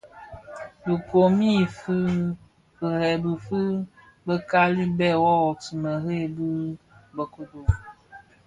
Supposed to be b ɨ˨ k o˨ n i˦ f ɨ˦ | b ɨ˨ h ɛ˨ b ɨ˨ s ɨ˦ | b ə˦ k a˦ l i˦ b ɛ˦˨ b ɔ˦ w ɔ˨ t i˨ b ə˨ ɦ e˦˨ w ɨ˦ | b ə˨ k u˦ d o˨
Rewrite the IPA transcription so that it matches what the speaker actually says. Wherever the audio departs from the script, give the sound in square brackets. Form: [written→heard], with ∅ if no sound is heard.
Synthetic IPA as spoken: b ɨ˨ k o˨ [n→m] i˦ f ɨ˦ | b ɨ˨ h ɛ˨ b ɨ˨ [s→f] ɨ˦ | b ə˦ k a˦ l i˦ b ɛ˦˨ [b→w] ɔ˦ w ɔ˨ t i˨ [b→m] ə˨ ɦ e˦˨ [w→b] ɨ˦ | b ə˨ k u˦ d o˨